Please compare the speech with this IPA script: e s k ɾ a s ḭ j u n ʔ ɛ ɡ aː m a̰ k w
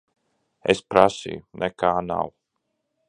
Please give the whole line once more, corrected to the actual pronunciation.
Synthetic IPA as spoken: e s p ɾ a s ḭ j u n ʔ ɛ k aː n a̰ w